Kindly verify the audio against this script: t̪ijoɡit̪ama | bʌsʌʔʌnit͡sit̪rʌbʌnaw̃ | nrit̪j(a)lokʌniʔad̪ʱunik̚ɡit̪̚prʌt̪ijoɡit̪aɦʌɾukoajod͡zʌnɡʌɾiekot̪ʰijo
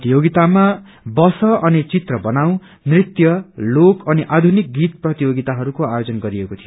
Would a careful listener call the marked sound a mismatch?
yes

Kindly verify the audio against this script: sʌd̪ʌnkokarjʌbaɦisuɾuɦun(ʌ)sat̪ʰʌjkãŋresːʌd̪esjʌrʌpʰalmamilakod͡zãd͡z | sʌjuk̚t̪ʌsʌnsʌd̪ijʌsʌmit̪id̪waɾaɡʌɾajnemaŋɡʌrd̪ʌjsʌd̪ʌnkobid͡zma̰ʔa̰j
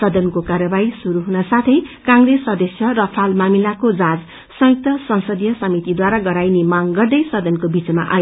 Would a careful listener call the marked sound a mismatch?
yes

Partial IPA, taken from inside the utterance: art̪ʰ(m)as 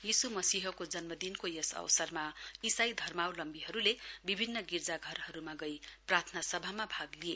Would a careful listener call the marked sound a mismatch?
yes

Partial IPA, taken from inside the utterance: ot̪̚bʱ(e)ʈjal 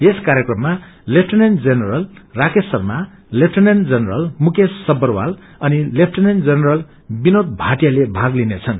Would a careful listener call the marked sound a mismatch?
yes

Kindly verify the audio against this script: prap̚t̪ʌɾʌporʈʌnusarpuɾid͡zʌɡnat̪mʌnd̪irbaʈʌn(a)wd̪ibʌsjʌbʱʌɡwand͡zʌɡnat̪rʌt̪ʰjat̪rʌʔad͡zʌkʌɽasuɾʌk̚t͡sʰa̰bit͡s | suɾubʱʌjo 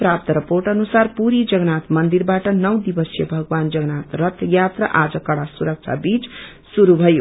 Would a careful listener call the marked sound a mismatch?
yes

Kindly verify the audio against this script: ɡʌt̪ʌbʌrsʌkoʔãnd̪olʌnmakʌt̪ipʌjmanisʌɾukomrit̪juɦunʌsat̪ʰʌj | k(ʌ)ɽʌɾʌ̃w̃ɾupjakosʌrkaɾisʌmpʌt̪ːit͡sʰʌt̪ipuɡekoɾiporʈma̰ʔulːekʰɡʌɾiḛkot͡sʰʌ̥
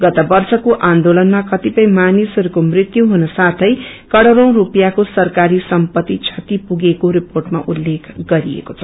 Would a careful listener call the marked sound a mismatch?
no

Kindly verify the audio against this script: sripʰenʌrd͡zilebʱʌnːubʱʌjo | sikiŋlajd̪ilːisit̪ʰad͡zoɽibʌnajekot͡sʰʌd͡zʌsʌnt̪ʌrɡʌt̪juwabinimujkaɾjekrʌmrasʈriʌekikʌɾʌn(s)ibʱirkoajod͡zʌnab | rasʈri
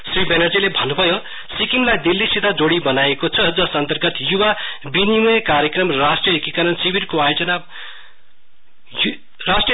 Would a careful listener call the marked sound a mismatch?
no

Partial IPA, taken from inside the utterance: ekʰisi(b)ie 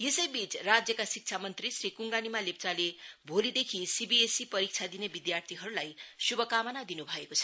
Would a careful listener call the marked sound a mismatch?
no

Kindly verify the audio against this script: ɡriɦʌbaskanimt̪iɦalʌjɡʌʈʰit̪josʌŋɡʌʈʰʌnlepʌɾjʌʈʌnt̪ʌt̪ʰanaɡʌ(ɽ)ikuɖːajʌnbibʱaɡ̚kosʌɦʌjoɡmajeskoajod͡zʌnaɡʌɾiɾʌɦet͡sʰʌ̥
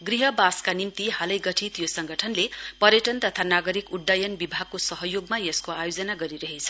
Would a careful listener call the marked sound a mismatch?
yes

